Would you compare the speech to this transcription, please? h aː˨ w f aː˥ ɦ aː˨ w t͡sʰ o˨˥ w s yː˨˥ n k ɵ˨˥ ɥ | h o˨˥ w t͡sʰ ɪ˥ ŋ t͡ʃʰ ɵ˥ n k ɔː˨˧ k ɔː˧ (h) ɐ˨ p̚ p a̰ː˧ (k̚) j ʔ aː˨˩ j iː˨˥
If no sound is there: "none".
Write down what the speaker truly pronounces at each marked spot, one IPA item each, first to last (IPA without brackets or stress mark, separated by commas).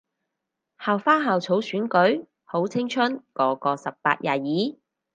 s, t̚